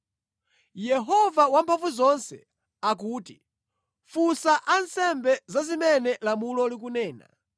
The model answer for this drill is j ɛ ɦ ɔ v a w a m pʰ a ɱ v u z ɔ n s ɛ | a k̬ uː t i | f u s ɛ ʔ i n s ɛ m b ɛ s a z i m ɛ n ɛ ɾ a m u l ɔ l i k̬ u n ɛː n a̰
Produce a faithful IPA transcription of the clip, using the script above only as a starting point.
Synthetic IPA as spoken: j ɛ ɦ ɔ v a w a m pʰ a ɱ v u z ɔ n s ɛ | a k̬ uː t i | f u s a ʔ a n s ɛ m b ɛ z a z i m ɛ n ɛ l a m u l ɔ l i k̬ u n ɛː n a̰